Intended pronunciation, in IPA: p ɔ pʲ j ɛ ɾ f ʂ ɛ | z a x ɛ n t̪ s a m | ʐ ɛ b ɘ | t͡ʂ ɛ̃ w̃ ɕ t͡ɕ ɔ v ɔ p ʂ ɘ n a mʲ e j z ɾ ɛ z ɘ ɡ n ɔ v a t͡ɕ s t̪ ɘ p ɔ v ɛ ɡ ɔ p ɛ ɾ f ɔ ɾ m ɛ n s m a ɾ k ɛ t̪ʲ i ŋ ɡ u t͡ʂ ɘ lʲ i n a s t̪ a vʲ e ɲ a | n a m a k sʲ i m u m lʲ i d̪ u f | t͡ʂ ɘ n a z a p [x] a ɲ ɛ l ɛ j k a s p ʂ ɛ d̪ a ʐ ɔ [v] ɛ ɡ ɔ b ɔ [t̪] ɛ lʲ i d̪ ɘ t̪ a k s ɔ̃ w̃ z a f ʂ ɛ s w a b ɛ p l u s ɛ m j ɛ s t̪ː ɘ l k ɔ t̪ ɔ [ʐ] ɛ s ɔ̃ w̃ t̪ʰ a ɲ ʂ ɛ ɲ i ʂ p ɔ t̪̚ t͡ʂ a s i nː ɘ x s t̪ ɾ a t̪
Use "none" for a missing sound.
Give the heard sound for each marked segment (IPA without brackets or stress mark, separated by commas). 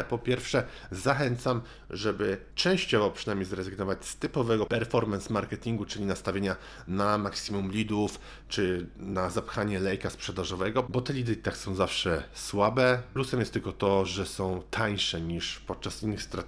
x, v, t̪, ʐ